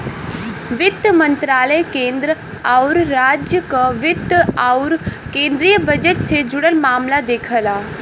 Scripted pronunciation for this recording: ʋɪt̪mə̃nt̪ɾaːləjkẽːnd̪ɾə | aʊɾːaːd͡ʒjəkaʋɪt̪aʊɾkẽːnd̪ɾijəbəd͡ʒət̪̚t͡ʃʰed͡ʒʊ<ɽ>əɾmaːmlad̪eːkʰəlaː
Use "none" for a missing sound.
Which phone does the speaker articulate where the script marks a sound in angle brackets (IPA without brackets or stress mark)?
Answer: ɽ